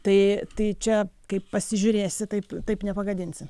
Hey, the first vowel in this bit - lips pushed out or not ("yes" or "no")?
no